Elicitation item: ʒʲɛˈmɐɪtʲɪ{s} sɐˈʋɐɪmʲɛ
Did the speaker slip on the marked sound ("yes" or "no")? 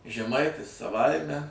no